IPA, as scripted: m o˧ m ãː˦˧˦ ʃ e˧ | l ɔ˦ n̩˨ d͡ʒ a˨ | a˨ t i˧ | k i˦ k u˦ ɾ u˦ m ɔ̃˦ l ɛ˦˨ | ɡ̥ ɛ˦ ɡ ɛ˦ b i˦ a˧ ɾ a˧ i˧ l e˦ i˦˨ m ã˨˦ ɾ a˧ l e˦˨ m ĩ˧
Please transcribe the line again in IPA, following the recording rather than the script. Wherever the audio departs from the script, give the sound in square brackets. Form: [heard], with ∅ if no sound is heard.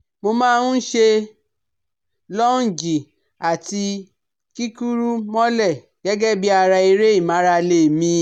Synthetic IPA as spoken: m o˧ m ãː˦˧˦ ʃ e˧ | l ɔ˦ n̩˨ d͡ʒ [i˨] | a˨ t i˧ | k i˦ k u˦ ɾ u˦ m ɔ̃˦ l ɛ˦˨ | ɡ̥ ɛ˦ ɡ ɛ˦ b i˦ a˧ ɾ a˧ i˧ [ɾ] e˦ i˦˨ m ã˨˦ ɾ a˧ l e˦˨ m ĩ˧